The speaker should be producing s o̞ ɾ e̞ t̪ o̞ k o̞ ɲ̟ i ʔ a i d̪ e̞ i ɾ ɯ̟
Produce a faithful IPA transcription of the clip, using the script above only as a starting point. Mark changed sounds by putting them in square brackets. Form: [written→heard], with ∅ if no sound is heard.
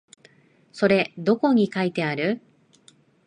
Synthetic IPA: s o̞ ɾ e̞ [t̪→d̪] o̞ k o̞ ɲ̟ i [ʔ→k] a i [d̪→t̪] e̞ [i→a] ɾ ɯ̟

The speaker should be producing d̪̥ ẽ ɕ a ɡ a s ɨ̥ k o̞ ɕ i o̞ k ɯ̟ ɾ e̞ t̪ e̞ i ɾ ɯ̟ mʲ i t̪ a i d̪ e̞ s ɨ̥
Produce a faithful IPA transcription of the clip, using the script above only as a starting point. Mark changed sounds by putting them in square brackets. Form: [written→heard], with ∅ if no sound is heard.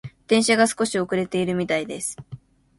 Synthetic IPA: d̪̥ ẽ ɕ a ɡ a s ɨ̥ k o̞ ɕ i o̞ k ɯ̟ ɾ e̞ t̪ e̞ i ɾ ɯ̟ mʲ i t̪ a i d̪ e̞ s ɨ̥

